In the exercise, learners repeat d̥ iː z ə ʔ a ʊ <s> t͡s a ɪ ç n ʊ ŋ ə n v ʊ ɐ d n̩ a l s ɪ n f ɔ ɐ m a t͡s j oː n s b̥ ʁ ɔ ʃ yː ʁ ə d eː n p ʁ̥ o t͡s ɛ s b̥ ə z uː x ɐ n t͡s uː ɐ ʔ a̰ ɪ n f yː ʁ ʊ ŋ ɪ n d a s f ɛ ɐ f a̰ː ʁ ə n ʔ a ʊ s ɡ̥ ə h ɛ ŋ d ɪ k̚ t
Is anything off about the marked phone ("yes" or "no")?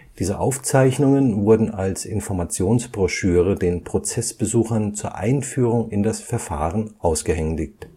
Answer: yes